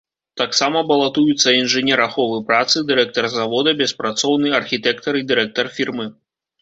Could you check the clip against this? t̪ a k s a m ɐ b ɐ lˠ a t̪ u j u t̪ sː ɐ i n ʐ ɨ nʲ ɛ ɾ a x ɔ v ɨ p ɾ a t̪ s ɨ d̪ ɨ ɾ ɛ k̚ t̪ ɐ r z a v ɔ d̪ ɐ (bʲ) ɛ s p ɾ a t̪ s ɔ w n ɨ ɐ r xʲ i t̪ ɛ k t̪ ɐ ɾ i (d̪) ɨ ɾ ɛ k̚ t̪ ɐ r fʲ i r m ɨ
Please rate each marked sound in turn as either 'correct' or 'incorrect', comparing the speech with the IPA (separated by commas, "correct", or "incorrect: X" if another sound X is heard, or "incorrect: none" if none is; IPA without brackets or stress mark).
correct, correct